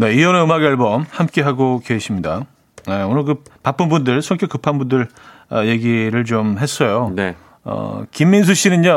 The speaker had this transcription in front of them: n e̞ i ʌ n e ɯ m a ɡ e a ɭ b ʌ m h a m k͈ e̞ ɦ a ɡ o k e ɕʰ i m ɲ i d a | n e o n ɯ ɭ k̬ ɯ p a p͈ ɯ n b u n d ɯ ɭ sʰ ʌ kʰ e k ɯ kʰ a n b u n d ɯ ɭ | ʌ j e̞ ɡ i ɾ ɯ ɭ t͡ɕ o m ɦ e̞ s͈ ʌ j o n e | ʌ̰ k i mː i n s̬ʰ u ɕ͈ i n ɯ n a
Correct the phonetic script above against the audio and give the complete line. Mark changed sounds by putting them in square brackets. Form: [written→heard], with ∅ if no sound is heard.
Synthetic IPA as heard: n e̞ i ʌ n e ɯ m a ɡ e a ɭ b ʌ m h a m k͈ e̞ ɦ a ɡ o k e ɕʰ i m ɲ i d a | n e o n ɯ ɭ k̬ ɯ p a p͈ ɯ n b u n d ɯ ɭ sʰ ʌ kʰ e k ɯ [kʰ→pʰ] a n b u n d ɯ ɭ | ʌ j e̞ ɡ i ɾ ɯ ɭ t͡ɕ o m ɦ e̞ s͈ ʌ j o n e | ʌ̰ k i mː i n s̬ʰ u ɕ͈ i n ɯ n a